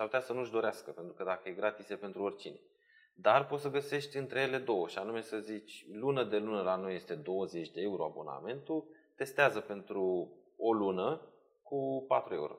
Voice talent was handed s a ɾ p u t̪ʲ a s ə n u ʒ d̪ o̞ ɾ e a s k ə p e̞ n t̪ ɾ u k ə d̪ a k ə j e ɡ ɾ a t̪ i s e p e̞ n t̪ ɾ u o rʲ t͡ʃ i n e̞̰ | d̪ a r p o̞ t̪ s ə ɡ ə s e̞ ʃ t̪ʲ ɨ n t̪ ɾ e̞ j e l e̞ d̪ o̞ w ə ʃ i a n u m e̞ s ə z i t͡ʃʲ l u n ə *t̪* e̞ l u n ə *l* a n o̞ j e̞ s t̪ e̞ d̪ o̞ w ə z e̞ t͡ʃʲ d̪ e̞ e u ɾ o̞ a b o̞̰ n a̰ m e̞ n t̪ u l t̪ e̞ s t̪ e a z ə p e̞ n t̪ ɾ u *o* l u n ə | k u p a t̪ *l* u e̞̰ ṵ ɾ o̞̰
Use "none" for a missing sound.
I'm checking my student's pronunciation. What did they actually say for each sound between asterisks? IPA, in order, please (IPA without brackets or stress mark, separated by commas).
d̪, l, o, ɾ